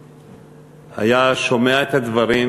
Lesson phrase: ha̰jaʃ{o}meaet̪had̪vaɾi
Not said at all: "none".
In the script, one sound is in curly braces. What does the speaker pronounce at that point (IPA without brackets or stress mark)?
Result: o